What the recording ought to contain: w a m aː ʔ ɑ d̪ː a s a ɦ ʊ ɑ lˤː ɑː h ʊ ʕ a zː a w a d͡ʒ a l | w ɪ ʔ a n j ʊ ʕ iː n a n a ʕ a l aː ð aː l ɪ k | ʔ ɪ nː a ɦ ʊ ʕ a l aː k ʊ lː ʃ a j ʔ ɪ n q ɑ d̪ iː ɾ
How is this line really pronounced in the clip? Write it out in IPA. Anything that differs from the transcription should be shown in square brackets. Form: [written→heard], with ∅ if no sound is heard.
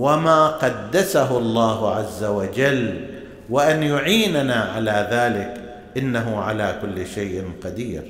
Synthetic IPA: w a m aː [ʔ→q] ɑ d̪ː a s a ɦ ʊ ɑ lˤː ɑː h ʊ ʕ a zː a w a d͡ʒ a l | w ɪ ʔ a n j ʊ ʕ iː n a n a ʕ a l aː ð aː l ɪ k | ʔ ɪ nː a ɦ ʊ ʕ a l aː k ʊ lː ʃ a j ʔ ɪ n q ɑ d̪ iː ɾ